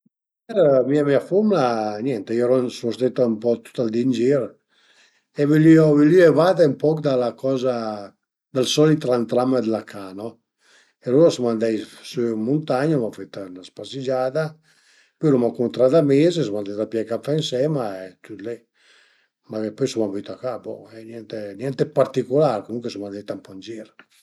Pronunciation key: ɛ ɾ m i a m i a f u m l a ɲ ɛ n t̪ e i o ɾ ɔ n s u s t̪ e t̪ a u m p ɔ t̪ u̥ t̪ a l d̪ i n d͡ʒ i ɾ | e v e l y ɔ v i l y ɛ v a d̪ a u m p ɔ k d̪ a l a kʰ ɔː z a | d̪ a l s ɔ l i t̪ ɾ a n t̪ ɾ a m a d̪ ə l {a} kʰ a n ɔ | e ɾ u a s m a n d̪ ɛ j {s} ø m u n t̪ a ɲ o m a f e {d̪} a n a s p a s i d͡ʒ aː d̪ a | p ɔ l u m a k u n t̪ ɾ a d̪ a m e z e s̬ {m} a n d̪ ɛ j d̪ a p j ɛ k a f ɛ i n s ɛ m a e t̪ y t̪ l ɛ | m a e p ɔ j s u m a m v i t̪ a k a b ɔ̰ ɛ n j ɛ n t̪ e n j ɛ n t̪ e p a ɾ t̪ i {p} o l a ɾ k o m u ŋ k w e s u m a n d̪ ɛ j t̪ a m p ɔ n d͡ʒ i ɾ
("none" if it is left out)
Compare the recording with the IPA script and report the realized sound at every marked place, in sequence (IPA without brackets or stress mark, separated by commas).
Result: a, s, t̪, m, k